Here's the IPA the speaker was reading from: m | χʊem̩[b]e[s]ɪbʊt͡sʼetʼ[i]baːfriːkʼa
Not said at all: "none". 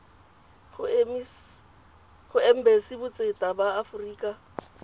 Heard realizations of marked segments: b, s, a

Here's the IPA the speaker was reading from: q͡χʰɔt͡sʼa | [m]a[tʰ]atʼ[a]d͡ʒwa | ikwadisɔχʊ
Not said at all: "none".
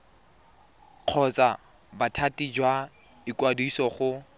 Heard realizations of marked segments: b, tʰ, i

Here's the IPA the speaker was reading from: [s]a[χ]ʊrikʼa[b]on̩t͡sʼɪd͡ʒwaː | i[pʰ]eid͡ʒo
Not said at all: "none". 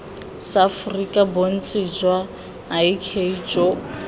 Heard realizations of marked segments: s, f, b, kʰ

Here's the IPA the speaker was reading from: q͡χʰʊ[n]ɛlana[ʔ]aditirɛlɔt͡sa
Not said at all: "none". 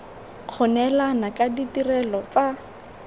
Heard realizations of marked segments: n, k

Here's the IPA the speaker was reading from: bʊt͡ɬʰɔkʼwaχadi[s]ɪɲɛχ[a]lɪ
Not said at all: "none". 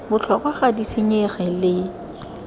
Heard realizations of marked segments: s, ɛ

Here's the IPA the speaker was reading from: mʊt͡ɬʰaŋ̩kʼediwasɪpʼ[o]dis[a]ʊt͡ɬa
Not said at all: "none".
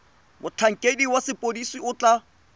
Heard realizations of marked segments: o, i

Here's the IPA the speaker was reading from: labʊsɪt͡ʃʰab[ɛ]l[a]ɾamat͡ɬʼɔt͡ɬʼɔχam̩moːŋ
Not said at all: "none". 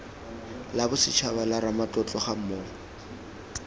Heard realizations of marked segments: a, a

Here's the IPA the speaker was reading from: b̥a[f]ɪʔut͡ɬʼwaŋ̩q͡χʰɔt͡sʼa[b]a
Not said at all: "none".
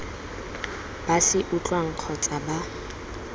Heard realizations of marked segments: s, b

